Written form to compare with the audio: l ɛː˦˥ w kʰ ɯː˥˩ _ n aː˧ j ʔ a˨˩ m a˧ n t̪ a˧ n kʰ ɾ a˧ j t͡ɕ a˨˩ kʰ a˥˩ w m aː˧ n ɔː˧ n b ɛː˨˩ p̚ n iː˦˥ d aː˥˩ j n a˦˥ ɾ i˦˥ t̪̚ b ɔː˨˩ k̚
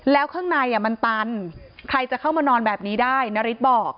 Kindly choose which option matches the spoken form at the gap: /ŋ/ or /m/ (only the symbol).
ŋ